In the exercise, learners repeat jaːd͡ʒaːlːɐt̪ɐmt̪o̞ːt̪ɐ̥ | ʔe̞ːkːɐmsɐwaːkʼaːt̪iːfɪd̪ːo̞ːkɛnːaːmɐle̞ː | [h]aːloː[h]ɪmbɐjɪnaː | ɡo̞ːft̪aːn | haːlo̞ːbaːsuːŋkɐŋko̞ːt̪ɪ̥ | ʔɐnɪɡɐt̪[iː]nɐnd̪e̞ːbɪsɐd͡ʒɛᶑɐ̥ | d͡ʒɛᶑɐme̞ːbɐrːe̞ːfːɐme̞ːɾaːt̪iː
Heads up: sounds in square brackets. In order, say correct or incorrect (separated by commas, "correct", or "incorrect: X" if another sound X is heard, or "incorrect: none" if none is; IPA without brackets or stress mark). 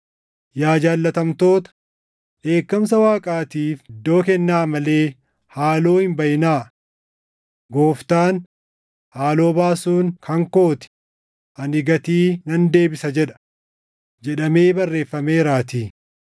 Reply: correct, correct, correct